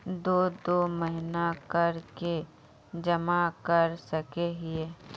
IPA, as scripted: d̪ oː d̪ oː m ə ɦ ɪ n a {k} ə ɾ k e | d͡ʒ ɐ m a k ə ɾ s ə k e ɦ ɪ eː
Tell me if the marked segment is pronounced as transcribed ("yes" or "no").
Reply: yes